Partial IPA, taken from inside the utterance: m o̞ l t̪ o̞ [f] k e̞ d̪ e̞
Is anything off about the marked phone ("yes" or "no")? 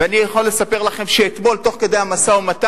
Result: yes